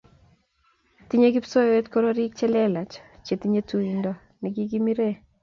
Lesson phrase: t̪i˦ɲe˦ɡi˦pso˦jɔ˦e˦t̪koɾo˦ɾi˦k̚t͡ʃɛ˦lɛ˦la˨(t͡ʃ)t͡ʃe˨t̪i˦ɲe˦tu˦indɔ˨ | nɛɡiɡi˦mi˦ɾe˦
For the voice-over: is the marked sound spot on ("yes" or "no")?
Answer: yes